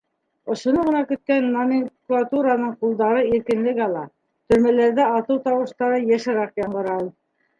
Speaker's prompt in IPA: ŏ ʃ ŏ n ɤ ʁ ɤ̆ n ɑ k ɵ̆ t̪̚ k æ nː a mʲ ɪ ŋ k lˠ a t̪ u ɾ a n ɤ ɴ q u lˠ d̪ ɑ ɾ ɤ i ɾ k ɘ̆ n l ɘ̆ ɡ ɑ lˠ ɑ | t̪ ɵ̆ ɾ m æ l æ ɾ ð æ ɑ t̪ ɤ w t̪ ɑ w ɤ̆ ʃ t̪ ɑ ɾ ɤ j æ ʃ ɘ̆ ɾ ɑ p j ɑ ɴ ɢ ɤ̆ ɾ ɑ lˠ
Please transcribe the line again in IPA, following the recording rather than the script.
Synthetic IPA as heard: ŏ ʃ ŏ n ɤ ʁ ɤ̆ n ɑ k ɵ̆ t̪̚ k æ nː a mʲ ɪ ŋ k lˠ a t̪ u ɾ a n ɤ ɴ q u lˠ d̪ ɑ ɾ ɤ i ɾ k ɘ̆ n l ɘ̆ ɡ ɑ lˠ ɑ | t̪ ɵ̆ ɾ m æ l æ ɾ ð æ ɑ t̪ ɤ w t̪ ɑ w ɤ̆ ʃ t̪ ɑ ɾ ɤ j æ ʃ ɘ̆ ɾ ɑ q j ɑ ɴ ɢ ɤ̆ ɾ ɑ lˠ